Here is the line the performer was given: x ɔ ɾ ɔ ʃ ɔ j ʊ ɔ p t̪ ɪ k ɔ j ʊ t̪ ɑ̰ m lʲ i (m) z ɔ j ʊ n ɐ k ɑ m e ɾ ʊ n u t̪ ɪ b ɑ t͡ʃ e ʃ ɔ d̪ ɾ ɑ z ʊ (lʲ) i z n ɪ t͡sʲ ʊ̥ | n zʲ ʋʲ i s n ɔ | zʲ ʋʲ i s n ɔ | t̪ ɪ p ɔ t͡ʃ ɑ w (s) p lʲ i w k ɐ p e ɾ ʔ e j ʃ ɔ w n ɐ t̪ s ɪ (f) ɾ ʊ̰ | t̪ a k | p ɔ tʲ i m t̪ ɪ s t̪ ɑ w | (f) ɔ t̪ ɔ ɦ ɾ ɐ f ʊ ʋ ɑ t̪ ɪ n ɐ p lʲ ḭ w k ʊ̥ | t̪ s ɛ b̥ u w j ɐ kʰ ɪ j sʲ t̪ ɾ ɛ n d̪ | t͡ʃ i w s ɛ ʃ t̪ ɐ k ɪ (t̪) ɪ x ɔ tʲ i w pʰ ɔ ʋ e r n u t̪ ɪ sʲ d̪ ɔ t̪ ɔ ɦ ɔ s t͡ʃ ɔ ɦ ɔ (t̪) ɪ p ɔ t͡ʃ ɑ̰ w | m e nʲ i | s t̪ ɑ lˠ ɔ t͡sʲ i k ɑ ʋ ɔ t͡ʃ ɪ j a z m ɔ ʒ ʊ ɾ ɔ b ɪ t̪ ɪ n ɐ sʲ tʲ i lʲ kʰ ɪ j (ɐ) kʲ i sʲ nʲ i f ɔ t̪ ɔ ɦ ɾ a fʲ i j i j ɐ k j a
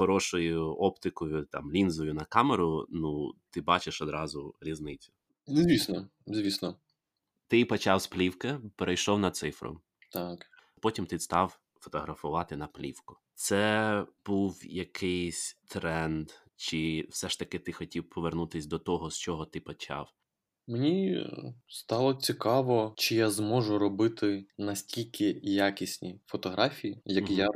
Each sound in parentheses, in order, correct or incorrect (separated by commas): incorrect, incorrect, correct, correct, correct, correct, correct, incorrect